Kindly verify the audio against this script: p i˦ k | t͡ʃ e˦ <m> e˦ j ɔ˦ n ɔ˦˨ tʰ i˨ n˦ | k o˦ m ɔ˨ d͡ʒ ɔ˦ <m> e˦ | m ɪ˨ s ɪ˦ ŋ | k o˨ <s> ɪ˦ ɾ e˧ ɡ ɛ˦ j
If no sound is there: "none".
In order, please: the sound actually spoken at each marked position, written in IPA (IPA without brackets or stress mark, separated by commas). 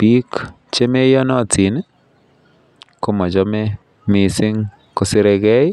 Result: m, m, s